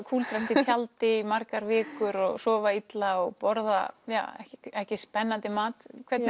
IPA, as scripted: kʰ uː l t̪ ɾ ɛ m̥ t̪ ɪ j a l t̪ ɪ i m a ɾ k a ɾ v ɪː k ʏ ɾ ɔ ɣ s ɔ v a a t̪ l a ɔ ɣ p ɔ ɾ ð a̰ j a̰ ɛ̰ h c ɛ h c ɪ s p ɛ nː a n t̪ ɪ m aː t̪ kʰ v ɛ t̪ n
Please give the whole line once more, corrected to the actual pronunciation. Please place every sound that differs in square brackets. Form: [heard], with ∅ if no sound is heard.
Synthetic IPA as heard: kʰ uː l t̪ ɾ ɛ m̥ t̪ ɪ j a l t̪ ɪ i m a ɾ k a ɾ v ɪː k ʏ ɾ ɔ ɣ s [ɔː] v a [i] t̪ l a ɔ ɣ p ɔ ɾ ð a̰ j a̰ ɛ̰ h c ɛ h c ɪ s p ɛ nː a n t̪ ɪ m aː t̪ kʰ v ɛ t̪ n